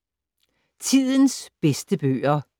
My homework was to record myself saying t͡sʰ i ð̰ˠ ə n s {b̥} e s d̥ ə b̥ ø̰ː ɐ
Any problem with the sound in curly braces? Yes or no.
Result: no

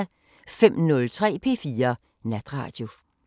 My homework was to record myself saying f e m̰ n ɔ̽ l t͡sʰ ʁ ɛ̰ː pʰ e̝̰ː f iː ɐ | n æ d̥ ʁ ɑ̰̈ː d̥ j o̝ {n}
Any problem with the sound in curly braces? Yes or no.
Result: yes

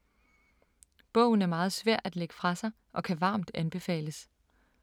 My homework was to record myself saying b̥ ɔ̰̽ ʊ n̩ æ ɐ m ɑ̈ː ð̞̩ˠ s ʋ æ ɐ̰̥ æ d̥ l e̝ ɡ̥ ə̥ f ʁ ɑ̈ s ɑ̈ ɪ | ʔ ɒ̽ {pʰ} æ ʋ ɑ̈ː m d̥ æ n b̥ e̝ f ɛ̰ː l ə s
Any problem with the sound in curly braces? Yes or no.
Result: yes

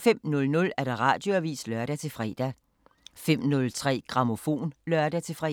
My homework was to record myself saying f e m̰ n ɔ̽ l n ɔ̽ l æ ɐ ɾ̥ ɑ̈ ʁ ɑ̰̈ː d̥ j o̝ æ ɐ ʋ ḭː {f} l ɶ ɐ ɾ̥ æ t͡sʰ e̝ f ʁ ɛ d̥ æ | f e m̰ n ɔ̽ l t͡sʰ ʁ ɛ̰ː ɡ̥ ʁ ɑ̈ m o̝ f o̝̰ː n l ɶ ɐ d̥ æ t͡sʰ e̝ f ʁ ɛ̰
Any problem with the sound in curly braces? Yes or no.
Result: yes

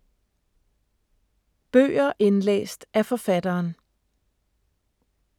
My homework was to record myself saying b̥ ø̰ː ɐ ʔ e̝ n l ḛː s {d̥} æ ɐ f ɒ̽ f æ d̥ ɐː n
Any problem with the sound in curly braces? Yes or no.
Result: no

